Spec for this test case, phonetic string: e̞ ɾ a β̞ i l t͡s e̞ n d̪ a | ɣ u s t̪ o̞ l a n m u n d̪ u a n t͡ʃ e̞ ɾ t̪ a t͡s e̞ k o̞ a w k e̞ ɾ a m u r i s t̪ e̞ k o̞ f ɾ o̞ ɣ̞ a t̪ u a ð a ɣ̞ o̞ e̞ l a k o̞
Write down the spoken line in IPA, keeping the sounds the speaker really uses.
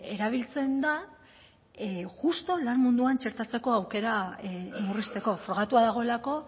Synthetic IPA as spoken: e̞ ɾ a β̞ i l t͡s e̞ n d̪ a | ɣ u s t̪ o̞ l a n m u n d̪ u a n t͡ʃ e̞ ɾ t̪ a t͡s e̞ k o̞ a w k e̞ ɾ a m u r i s t̪ e̞ k o̞ f ɾ o̞ ɣ̞ a t̪ u a ð a ɣ̞ o̞ e̞ l a k o̞